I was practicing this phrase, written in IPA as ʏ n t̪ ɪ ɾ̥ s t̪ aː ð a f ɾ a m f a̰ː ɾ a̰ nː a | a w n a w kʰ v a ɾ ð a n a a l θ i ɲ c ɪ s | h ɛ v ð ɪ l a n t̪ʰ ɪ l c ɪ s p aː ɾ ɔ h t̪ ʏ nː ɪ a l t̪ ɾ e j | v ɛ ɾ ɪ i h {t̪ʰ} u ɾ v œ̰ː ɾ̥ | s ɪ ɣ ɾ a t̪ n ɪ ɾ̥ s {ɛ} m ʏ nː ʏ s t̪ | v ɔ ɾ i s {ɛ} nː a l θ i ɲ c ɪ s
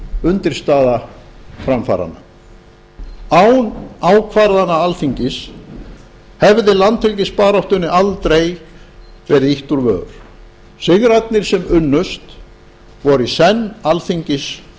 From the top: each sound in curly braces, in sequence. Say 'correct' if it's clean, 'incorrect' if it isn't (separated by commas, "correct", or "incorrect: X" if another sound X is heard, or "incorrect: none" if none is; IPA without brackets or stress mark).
incorrect: t̪, correct, correct